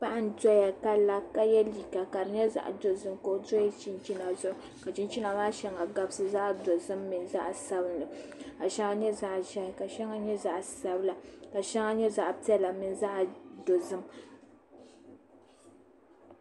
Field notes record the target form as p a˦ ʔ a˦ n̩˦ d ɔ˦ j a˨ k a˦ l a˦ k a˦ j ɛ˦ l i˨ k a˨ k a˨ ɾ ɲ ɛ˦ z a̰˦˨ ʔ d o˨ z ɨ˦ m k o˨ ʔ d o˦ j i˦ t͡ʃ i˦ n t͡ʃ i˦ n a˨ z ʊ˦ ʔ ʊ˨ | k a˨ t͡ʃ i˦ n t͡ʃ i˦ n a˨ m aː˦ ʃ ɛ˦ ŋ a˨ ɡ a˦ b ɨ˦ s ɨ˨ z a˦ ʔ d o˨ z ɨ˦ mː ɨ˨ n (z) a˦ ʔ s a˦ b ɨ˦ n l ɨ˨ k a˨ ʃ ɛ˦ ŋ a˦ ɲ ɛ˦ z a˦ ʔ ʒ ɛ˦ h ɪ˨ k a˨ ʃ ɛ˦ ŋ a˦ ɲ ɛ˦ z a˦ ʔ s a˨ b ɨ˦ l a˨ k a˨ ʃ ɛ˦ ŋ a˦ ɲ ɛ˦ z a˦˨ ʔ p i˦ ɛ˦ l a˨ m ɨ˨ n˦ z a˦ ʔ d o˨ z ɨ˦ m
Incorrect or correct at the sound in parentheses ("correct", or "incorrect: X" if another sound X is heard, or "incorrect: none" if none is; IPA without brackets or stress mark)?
correct